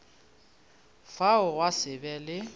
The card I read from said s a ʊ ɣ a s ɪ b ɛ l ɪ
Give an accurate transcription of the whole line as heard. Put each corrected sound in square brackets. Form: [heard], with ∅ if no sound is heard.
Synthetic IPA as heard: [f] a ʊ [w] a s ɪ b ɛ l ɪ